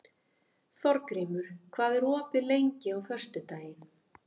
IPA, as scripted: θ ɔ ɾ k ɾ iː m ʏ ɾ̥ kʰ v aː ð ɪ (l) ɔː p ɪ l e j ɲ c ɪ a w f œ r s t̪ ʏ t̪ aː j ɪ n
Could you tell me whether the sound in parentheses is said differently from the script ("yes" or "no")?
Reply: yes